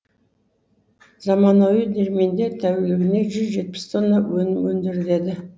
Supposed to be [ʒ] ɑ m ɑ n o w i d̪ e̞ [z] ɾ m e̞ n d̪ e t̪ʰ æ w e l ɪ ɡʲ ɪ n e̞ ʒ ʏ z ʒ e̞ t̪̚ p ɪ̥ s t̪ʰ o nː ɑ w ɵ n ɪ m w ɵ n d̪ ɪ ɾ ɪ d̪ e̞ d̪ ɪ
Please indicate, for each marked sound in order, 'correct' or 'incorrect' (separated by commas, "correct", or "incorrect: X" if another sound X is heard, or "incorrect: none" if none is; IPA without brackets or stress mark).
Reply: incorrect: z, incorrect: none